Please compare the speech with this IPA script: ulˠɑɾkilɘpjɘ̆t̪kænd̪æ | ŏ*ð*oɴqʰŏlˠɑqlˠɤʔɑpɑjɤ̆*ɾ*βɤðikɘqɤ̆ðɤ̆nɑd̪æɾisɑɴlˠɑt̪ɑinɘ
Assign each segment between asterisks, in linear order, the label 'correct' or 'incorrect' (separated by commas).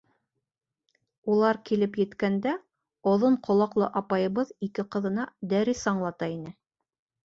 correct, incorrect